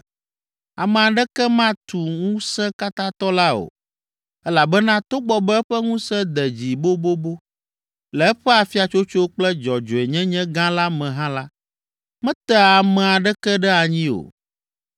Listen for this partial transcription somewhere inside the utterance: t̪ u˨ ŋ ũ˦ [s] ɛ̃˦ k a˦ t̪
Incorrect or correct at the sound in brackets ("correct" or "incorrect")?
correct